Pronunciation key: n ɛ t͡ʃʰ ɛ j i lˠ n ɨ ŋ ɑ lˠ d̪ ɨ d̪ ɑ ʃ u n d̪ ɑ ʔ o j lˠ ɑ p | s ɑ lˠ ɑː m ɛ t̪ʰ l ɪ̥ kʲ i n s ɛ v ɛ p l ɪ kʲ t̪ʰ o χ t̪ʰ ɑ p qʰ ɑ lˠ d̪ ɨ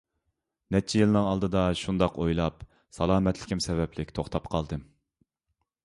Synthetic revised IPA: n ɛ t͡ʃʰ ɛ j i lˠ n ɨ ŋ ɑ lˠ d̪ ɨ d̪ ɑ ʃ u n d̪ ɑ q o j lˠ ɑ p | s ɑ lˠ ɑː m ɛ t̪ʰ l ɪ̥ kʲ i m s ɛ v ɛ p l ɪ kʲ t̪ʰ o χ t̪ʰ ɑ p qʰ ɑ lˠ d̪ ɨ